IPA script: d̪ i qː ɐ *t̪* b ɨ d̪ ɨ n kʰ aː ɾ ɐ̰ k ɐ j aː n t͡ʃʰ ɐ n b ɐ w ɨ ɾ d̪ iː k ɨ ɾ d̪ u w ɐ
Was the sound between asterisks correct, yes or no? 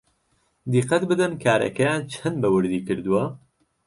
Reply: yes